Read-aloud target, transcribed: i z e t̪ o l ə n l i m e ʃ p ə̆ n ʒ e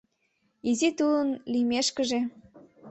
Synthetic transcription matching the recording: i z i t̪ u l ə n l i m e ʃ k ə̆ ʒ e

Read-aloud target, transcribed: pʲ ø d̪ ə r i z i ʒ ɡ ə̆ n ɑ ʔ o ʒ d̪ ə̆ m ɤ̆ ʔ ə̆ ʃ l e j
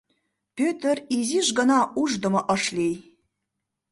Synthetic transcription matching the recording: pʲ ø t̪ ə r i z i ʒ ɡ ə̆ n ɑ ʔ u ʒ d̪ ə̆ m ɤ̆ ʔ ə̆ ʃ l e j

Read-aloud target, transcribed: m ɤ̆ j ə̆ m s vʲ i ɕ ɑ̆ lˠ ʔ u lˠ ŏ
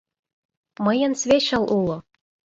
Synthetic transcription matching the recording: m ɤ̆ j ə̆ n s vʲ e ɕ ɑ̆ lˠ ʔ u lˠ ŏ

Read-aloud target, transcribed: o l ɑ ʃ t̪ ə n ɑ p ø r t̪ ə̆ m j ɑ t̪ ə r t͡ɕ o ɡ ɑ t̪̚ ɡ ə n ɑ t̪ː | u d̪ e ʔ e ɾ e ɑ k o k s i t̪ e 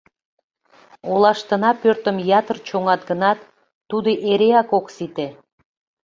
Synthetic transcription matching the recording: o l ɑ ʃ t̪ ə n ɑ p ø r t̪ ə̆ m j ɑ t̪ ə r t͡ɕ o ŋ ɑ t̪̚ ɡ ə n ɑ t̪ː | u d̪ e ʔ e ɾ e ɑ k o k s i t̪ e

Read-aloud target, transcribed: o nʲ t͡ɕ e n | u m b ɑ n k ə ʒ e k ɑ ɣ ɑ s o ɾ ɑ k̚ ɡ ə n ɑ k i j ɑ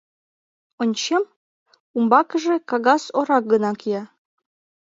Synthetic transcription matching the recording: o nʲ t͡ɕ e m | u m b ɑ k ə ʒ e k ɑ ɣ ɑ s o ɾ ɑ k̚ ɡ ə n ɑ k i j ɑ

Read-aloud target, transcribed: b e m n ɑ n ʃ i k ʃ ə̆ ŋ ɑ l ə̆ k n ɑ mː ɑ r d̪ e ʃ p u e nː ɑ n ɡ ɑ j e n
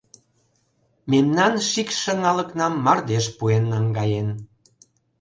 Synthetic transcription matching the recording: m e m n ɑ n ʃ i k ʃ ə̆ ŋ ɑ l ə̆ k n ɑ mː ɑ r d̪ e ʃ p u e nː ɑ ŋ ɡ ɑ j e n

